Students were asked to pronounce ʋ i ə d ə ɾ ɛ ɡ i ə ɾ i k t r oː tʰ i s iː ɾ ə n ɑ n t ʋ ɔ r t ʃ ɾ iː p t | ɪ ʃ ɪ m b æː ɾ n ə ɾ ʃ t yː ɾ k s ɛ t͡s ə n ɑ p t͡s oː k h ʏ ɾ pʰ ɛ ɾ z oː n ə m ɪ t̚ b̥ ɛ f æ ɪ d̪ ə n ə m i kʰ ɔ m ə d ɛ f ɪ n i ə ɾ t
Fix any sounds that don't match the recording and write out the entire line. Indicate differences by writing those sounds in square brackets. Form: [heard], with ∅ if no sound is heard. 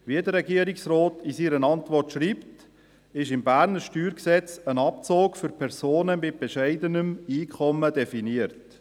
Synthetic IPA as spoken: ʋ i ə d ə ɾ ɛ ɡ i ə ɾ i k [s] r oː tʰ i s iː ɾ ə n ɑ n t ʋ ɔ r t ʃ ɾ iː p t | ɪ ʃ ɪ m b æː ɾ n ə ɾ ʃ t yː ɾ k s ɛ t͡s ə n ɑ p t͡s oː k [f] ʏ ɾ pʰ ɛ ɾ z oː n ə m ɪ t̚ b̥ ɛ [ʃ] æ ɪ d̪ ə n ə m [iː] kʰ ɔ m ə d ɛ f [i] n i ə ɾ t